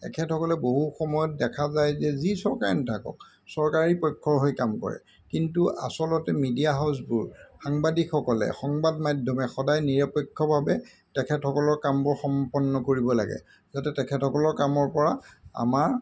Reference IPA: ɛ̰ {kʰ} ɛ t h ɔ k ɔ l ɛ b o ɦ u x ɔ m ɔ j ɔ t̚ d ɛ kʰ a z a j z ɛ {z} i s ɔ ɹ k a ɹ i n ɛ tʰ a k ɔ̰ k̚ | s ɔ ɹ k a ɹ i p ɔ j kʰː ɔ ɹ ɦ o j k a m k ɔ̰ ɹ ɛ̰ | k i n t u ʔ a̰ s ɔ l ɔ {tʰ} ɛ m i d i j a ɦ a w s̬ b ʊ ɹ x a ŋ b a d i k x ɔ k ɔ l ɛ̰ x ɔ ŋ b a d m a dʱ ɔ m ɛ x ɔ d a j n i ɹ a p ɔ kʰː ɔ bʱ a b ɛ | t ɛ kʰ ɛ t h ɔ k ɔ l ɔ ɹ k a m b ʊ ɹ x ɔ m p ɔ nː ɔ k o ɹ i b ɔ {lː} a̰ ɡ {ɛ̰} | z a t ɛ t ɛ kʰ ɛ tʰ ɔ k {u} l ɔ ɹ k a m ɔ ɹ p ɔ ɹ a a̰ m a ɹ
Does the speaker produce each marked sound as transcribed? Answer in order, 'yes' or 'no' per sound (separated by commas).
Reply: yes, yes, no, no, yes, no